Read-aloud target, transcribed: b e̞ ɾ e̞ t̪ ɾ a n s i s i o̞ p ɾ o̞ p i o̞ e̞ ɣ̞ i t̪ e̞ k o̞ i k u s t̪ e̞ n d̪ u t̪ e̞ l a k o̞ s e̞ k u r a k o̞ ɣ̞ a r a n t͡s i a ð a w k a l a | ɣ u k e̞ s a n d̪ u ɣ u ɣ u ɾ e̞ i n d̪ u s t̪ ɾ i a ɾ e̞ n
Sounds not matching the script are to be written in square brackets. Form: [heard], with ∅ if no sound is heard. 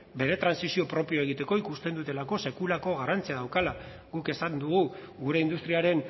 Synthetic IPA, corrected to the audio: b e̞ ɾ e̞ t̪ ɾ a n s i s i o̞ p ɾ o̞ p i o̞ e̞ ɣ̞ i t̪ e̞ k o̞ i k u s t̪ e̞ n d̪ u t̪ e̞ l a k o̞ s e̞ k u [l] a k o̞ ɣ̞ a r a n t͡s i a ð a w k a l a | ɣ u k e̞ s a n d̪ u ɣ u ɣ u ɾ e̞ i n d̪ u s t̪ ɾ i a ɾ e̞ n

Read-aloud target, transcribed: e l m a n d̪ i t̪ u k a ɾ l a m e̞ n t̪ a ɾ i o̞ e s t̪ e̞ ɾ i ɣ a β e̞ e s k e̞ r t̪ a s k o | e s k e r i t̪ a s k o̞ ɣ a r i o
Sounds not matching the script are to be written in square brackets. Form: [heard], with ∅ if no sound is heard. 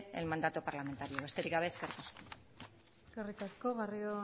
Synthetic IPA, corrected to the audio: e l m a n d̪ [a] t̪ u [p] a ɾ l a m e̞ n t̪ a ɾ i o̞ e s t̪ e̞ ɾ i ɣ a β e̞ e s k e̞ r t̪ a s k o | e s k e r i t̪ a s k o̞ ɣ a r i o

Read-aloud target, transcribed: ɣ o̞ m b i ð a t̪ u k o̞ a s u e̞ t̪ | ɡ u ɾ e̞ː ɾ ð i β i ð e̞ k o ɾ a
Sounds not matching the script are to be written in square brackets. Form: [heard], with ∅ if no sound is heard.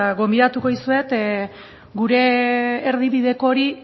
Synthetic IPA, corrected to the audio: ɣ o̞ m b i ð a t̪ u k o̞ [i] s u e̞ t̪ | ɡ u ɾ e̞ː ɾ ð i β i ð e̞ k o ɾ [i]

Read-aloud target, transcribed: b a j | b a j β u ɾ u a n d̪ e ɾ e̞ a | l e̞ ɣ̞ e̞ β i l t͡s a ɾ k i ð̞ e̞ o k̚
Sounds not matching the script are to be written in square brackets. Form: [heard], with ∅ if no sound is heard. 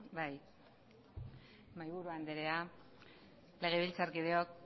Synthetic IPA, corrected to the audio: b a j | [m] a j β u ɾ u a n d̪ e ɾ e̞ a | l e̞ ɣ̞ e̞ β i l t͡s a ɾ k i ð̞ e̞ o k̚

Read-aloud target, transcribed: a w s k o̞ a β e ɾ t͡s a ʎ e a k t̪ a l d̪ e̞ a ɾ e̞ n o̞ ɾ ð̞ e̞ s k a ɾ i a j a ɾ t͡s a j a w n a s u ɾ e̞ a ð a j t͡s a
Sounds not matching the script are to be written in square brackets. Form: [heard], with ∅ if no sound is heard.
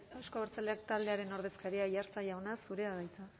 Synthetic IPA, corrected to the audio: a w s k o̞ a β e ɾ t͡s a [l] e a k t̪ a l d̪ e̞ a ɾ e̞ n o̞ ɾ ð̞ e̞ s k a ɾ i a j a ɾ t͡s a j a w n a s u ɾ e̞ a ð a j t͡s a

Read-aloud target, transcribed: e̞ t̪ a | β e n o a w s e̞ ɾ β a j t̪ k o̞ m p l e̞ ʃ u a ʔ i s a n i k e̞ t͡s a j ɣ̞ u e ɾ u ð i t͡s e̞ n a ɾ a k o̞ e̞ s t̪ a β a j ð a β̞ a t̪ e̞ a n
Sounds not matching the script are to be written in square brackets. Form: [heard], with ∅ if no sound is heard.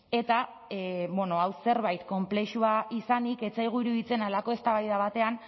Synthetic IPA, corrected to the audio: e̞ t̪ a | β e n o a w s e̞ ɾ β a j t̪ k o̞ m p l e̞ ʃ u a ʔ i s a n i k e̞ t͡s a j ɣ̞ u [i] ɾ u ð i t͡s e̞ n a [l] a k o̞ e̞ s t̪ a β a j ð a β̞ a t̪ e̞ a n

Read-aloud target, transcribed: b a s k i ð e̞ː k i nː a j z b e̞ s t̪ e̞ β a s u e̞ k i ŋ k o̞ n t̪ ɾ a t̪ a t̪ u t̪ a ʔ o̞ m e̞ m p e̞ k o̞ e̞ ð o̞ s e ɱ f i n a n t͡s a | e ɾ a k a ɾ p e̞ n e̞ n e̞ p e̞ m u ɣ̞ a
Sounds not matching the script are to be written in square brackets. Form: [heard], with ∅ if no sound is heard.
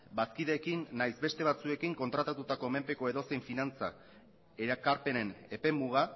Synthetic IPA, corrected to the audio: b a s k i ð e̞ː k i nː a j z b e̞ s t̪ e̞ β a [t͡s] u e̞ k i ŋ k o̞ n t̪ ɾ a t̪ a t̪ u t̪ a [k] o̞ m e̞ m p e̞ k o̞ e̞ ð o̞ s e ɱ f i n a n t͡s a | e ɾ a k a ɾ p e̞ n e̞ n e̞ p e̞ m u ɣ̞ a

